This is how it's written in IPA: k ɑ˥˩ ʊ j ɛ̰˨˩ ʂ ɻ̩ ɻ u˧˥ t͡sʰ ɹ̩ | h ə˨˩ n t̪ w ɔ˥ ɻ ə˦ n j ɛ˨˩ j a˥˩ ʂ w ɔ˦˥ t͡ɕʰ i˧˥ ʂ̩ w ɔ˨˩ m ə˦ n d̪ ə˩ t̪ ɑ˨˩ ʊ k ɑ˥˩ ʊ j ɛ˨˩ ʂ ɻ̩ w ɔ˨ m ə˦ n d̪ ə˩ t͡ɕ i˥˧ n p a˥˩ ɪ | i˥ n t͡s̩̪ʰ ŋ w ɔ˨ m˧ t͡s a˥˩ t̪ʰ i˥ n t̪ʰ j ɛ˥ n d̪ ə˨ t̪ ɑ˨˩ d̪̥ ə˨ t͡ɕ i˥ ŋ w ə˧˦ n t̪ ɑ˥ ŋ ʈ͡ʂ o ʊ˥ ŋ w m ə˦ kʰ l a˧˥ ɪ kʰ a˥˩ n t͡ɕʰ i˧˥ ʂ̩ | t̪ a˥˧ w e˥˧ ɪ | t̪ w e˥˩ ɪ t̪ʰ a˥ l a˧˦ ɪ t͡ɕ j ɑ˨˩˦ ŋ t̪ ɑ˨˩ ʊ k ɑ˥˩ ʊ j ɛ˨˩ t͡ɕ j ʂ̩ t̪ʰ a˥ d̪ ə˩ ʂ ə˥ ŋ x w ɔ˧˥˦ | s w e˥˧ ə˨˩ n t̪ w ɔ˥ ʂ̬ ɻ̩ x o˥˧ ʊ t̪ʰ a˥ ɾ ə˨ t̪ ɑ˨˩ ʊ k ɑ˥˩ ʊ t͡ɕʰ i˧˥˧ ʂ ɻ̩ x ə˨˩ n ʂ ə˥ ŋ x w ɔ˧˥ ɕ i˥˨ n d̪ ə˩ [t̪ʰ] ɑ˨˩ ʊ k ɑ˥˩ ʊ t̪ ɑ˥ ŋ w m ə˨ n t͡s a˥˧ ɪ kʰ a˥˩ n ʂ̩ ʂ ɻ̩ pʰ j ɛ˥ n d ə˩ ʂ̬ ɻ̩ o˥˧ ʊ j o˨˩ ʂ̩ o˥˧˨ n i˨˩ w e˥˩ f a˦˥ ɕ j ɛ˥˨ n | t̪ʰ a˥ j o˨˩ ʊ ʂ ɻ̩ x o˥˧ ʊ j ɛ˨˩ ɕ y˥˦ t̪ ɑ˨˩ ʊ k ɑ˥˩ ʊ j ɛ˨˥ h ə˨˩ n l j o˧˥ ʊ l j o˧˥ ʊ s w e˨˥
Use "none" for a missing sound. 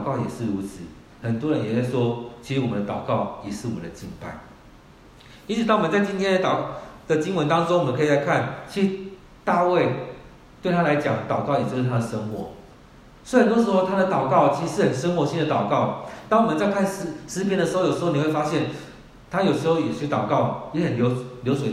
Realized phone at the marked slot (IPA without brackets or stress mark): t̪